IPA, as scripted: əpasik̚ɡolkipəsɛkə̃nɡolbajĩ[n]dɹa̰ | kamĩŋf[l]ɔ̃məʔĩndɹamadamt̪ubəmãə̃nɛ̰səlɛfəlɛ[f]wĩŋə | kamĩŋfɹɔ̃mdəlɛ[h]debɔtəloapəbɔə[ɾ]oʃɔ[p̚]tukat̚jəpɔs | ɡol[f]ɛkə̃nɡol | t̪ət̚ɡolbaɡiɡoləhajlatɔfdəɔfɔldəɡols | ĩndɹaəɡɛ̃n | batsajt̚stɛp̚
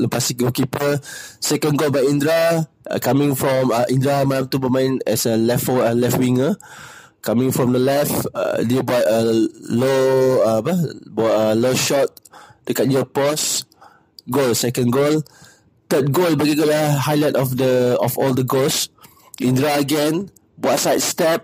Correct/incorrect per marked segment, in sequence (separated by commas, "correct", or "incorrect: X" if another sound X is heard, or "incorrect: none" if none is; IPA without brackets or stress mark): correct, incorrect: ɹ, correct, incorrect: f, incorrect: l, incorrect: t̚, incorrect: s